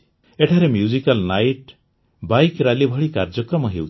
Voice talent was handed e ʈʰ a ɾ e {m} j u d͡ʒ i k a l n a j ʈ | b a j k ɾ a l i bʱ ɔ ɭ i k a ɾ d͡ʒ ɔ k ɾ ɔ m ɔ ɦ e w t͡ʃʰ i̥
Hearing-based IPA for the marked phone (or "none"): m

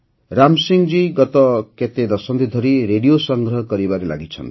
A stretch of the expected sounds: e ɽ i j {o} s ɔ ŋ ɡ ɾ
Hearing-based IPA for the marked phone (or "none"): o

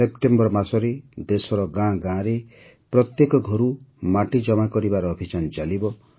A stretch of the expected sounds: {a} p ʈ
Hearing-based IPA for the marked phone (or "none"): e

